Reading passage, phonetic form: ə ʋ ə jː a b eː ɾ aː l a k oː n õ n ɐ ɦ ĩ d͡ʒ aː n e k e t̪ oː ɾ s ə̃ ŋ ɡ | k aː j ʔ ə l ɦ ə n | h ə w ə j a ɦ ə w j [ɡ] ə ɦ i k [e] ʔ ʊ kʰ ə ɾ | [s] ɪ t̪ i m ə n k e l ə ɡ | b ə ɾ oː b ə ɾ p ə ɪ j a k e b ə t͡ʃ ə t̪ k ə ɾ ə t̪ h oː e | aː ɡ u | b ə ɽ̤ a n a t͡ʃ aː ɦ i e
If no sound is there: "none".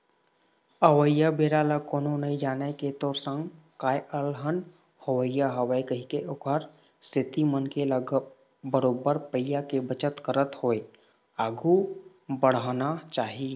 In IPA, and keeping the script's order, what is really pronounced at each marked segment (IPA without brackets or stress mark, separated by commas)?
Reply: k, e, s